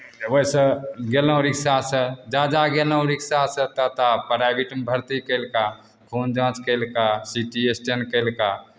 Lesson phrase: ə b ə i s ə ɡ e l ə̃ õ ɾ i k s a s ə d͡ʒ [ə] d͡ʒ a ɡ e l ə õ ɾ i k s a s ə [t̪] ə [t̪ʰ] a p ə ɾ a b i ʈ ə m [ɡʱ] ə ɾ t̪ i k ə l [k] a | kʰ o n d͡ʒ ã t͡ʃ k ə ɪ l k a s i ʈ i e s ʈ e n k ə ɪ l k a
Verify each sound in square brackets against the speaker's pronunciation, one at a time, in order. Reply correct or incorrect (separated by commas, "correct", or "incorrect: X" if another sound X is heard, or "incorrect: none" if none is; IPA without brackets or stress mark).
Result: incorrect: a, correct, incorrect: t̪, incorrect: bʱ, correct